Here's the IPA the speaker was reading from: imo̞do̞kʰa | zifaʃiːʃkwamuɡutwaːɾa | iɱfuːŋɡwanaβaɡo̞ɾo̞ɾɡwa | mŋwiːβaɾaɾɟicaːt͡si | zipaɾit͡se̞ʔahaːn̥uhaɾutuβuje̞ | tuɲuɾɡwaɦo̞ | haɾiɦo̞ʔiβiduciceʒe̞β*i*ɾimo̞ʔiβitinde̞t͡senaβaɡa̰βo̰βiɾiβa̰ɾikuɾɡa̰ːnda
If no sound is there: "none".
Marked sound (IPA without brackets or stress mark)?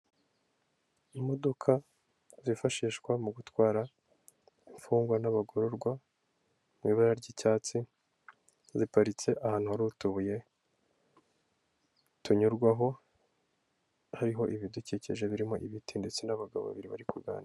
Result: i